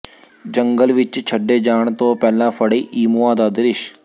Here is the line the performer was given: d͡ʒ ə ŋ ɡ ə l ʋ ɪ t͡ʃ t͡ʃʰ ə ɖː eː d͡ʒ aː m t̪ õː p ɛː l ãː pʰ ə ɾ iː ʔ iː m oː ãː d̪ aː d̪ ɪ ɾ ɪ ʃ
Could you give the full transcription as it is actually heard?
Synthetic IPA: d͡ʒ ə ŋ ɡ ə l ʋ ɪ t͡ʃ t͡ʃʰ ə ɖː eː d͡ʒ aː ɳ t̪ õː p ɛː l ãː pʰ ə ɽ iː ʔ iː m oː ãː d̪ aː d̪ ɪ ɾ ɪ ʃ

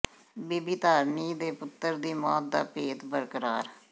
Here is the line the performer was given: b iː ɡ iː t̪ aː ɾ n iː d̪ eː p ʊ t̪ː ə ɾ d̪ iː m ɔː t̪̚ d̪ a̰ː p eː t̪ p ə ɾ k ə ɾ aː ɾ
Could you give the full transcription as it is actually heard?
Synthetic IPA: b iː b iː t̪ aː ɾ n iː d̪ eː p ʊ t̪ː ə ɾ d̪ iː m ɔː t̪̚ d̪ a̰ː p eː t̪ b ə ɾ k ə ɾ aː ɾ

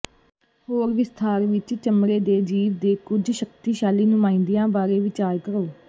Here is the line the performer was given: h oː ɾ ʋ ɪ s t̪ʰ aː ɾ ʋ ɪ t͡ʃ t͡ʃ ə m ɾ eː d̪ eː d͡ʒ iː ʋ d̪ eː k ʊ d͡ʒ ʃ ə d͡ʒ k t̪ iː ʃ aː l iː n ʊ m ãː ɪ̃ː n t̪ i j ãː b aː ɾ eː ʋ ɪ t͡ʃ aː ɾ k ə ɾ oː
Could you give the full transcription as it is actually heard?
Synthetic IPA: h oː ɾ ʋ ɪ s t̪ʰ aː ɾ ʋ ɪ t͡ʃ t͡ʃ ə m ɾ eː d̪ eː d͡ʒ iː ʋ d̪ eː k ʊ d͡ʒ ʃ ə k t̪ iː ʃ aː l iː n ʊ m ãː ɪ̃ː n d̪ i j ãː b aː ɾ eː ʋ ɪ t͡ʃ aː ɾ k ə ɾ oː

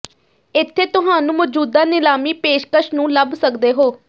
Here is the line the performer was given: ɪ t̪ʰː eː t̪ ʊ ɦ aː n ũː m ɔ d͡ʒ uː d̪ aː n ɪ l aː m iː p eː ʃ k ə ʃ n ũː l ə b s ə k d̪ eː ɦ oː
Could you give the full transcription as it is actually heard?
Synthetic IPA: ɪ t̪ʰː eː t̪ ʊ ɦ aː n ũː m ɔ d͡ʒ uː d̪ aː n ɪ l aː m iː p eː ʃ k ə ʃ n ũː l ə b s ə k d̪ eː ɦ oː

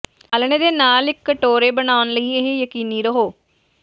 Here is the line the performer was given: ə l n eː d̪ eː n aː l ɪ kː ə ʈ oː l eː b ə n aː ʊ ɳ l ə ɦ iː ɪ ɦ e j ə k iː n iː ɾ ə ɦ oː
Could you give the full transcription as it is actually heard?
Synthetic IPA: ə l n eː d̪ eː n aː l ɪ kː ə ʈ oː ɾ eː b ə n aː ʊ n l ə iː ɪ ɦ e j ə k iː n iː ɾ ə ɦ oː

